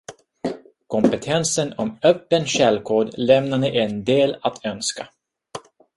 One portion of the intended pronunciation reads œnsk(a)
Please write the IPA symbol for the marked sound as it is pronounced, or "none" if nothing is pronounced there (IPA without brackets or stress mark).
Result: a